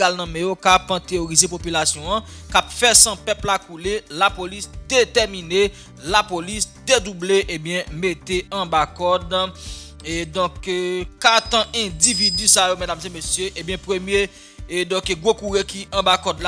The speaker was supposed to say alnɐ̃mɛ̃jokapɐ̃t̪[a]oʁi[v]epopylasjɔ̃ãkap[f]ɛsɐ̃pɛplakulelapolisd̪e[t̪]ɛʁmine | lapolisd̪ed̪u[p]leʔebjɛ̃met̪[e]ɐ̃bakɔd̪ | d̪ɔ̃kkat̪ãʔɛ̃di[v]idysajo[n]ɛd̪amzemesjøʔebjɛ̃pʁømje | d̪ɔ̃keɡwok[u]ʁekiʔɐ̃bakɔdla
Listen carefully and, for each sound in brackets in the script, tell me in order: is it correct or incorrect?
incorrect: e, incorrect: z, correct, correct, incorrect: b, correct, correct, incorrect: m, correct

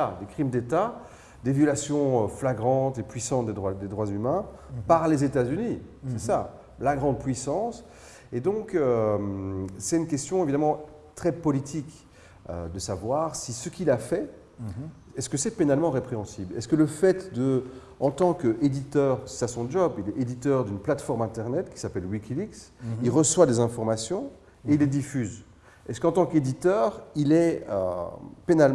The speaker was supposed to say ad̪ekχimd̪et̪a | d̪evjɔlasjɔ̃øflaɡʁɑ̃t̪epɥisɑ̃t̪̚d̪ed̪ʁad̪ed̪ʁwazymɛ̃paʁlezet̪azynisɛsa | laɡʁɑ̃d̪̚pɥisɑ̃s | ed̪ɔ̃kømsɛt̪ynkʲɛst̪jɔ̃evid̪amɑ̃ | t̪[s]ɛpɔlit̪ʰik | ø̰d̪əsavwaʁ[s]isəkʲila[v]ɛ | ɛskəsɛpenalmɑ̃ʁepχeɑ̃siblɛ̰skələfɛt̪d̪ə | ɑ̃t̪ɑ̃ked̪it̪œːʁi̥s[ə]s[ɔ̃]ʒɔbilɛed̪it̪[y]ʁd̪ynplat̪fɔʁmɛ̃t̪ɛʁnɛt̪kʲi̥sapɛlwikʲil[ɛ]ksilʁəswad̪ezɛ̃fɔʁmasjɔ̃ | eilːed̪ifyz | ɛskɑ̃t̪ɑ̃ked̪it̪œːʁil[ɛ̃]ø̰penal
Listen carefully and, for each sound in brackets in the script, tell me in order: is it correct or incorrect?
incorrect: χ, correct, incorrect: f, incorrect: a, correct, incorrect: œ, incorrect: i, incorrect: ɛ

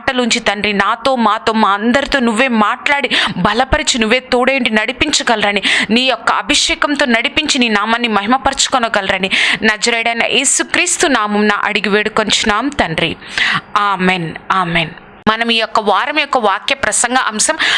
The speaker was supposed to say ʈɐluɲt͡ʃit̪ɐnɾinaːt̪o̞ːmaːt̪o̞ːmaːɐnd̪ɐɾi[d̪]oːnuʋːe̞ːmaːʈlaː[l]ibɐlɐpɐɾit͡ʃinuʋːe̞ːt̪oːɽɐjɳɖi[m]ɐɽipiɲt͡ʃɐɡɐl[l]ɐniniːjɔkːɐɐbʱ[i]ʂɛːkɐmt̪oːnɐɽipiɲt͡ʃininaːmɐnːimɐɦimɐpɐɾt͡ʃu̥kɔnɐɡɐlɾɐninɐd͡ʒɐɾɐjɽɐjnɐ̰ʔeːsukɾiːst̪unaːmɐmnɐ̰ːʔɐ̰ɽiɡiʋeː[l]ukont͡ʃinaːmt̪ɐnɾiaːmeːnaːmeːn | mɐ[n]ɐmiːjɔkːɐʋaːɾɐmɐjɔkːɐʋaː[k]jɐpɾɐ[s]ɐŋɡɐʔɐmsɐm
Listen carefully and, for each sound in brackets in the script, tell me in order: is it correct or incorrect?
incorrect: t̪, incorrect: ɽ, incorrect: n, incorrect: ɾ, correct, incorrect: ɽ, correct, correct, correct

